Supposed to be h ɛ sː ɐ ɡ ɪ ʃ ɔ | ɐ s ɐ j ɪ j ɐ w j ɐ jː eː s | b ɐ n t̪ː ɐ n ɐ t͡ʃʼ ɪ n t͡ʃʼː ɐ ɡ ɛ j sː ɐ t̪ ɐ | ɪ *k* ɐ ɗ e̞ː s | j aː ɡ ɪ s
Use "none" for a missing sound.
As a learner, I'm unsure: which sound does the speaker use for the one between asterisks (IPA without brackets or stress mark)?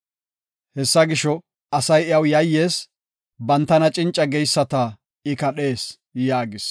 k